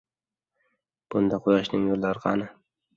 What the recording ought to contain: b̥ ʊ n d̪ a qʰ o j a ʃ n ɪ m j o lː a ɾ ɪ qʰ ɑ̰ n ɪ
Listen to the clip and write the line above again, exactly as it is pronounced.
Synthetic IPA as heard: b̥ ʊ n d̪ a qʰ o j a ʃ n ɪ ŋ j o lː a ɾ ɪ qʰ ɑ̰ n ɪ